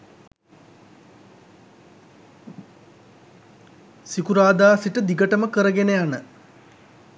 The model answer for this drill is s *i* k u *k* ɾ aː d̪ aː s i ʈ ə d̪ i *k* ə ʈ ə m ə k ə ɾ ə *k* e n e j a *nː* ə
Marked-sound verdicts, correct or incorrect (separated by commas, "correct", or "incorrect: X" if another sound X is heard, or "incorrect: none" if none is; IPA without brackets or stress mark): correct, incorrect: none, incorrect: ɡ, incorrect: ɡ, incorrect: n